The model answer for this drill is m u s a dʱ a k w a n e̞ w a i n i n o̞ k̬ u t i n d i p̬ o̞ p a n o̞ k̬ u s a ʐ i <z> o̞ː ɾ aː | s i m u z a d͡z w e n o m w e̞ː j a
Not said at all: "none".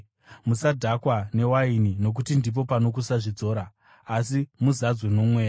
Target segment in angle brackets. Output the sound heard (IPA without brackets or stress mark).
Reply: d͡z